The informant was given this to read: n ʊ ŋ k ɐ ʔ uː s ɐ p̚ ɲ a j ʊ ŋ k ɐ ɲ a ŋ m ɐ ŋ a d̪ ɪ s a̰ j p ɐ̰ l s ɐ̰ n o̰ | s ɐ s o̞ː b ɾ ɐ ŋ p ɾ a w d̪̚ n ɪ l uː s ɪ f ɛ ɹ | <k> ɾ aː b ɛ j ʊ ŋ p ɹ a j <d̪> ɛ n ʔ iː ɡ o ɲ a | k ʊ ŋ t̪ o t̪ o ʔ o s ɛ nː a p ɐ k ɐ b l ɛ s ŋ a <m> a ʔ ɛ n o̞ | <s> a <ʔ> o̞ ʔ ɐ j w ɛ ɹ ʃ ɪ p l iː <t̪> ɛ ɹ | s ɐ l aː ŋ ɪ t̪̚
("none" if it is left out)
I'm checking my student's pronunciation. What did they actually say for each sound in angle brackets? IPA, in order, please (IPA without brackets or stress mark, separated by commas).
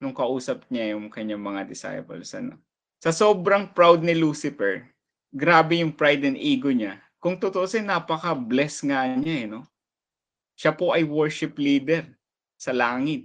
ɡ, d̪, ɲ, ʃ, p, d̪